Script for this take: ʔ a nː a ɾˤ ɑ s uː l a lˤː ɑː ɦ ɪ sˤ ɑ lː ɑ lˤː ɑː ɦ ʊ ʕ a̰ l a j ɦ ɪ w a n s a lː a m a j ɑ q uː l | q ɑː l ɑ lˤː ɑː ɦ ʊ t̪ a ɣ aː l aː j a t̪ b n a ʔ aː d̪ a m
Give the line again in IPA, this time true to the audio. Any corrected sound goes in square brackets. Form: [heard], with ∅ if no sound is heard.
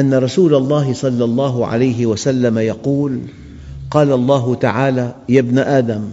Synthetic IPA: ʔ a nː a ɾˤ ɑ s uː l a lˤː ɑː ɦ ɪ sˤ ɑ lː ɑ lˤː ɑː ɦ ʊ ʕ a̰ l a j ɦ ɪ w a [∅] s a lː a m a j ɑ q uː l | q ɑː l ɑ lˤː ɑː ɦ ʊ t̪ a [ʕ] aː l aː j a [∅] b n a ʔ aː d̪ a m